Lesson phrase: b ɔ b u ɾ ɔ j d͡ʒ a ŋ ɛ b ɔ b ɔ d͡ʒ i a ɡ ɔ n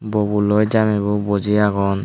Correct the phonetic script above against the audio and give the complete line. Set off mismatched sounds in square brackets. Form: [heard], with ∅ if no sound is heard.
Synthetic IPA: b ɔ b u [l] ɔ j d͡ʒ a [m] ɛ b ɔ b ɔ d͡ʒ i a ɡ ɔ n